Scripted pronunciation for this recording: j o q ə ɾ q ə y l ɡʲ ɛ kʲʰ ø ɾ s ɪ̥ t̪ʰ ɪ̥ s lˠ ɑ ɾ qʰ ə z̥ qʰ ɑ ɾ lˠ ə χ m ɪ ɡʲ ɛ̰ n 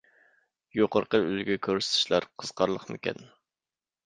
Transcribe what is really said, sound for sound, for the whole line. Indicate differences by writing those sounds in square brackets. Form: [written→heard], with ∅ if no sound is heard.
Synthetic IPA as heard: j o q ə ɾ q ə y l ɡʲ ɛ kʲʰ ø ɾ s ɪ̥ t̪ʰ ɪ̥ [s→ʃ] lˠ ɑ ɾ qʰ ə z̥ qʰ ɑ ɾ lˠ ə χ m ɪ [ɡʲ→kʲ] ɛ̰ n

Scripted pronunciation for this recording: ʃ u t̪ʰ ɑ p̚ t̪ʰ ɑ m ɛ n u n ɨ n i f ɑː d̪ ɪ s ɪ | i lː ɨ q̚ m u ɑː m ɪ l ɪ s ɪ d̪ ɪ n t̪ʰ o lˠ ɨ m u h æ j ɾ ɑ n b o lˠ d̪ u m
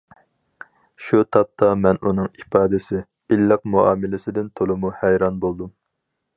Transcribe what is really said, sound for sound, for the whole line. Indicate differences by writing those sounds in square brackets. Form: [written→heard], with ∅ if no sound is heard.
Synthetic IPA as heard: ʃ u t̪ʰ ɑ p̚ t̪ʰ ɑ m ɛ n u n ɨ [n→ŋ] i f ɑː d̪ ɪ s ɪ | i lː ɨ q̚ m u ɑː m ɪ l ɪ s ɪ d̪ ɪ n t̪ʰ o lˠ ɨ m u h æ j ɾ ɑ n b o lˠ d̪ u m

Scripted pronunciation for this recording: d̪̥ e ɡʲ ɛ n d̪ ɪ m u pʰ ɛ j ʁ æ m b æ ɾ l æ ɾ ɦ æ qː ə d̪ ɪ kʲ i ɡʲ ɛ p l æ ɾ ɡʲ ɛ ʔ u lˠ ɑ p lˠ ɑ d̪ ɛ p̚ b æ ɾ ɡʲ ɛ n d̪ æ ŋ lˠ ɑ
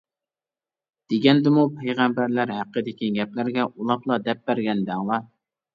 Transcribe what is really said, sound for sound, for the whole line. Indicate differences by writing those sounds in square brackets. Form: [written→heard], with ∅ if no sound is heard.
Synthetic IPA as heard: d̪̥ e ɡʲ ɛ n d̪ ɪ m u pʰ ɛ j ʁ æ m b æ ɾ l æ ɾ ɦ æ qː ə d̪ ɪ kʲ i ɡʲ ɛ p l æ ɾ ɡʲ ɛ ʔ u lˠ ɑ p lˠ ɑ d̪ ɛ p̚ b æ ɾ ɡʲ ɛ n d̪ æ ŋ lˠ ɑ

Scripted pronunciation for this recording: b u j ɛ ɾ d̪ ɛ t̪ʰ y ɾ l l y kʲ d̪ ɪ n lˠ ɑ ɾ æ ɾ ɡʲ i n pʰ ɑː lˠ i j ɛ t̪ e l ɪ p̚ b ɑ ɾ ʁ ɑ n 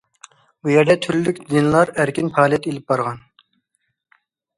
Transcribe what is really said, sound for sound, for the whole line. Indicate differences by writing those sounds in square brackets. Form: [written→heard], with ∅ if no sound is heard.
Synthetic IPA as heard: b u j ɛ ɾ d̪ ɛ t̪ʰ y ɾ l l y kʲ d̪ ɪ n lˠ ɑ ɾ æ ɾ [ɡʲ→kʲ] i n pʰ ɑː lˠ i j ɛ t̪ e l ɪ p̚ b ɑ ɾ ʁ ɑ n

